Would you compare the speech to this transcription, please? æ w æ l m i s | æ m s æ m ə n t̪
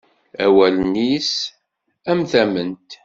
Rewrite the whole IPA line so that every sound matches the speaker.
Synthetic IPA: æ w æ l n i s | æ m θ æ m ə n t̪

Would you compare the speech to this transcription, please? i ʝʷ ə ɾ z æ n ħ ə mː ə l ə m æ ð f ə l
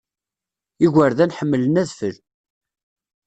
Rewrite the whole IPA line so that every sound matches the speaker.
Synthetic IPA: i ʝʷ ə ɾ ð æ n ħ ə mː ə l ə n æ ð f ə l

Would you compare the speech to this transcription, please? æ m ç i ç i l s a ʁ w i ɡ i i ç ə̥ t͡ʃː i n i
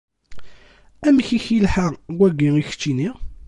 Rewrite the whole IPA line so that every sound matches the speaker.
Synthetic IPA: æ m ç i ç i l ħ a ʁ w æ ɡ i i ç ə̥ t͡ʃː i n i

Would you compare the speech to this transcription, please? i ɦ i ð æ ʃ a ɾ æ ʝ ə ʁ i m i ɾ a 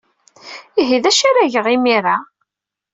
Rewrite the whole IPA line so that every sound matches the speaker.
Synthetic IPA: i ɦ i ð æ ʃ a ɾ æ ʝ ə ʁ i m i ɾ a

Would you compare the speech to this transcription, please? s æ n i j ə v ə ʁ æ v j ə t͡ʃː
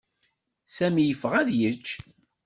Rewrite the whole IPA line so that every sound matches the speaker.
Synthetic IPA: s æ m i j ə f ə ʁ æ ð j ə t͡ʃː

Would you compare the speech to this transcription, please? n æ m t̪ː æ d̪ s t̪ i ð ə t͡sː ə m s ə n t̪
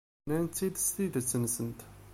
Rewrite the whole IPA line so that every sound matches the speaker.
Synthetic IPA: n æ n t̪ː i d̪ s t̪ i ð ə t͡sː ə n s ə n t̪

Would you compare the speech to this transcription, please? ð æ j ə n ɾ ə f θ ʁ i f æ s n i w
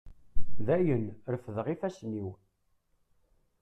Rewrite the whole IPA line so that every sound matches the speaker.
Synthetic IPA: ð æ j ə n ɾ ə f ð ʁ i f æ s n i w

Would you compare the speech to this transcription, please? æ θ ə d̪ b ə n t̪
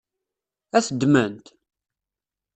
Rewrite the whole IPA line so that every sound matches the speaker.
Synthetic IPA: æ θ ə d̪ m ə n t̪

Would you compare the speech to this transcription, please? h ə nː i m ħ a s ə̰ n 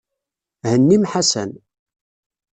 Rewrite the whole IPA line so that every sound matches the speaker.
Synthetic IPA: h ə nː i m ħ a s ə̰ n

